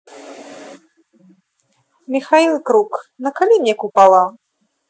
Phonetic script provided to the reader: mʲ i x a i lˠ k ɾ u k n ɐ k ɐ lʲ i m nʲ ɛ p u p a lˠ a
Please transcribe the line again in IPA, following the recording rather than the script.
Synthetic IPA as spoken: mʲ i x a i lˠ k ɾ u k n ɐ k a lʲ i m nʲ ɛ k u p a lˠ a